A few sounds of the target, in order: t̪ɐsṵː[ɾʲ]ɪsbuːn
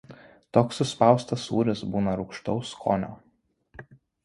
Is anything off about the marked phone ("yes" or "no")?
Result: no